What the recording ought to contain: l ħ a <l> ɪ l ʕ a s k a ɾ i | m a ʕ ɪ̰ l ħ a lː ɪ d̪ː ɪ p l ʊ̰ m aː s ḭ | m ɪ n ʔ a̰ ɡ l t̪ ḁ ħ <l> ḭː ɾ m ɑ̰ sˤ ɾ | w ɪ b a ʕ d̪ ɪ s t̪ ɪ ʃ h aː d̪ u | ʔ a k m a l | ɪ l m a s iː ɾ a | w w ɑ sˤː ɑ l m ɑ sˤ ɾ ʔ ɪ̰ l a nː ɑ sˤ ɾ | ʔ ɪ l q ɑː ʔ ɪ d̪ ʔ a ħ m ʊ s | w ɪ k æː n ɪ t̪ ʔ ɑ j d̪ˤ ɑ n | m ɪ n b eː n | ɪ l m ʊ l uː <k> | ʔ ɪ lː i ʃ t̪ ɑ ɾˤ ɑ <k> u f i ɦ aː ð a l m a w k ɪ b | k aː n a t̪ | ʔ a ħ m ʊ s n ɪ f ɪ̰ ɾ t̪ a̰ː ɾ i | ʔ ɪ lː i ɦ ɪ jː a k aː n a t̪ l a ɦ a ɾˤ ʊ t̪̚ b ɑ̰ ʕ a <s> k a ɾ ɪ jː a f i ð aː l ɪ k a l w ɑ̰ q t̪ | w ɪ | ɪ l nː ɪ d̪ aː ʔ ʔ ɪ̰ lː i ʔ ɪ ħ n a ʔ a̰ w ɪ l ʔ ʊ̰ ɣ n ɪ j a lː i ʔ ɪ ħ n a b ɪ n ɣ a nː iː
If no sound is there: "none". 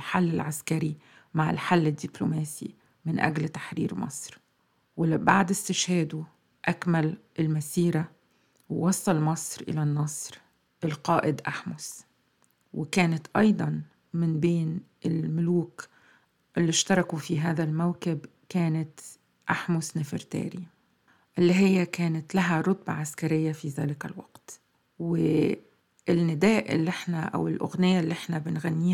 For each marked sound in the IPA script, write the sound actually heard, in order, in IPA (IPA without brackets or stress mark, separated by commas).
lː, ɾ, k, k, s